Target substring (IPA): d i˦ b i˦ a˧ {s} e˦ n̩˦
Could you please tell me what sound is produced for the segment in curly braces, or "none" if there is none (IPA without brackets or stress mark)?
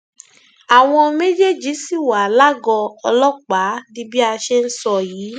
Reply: ʃ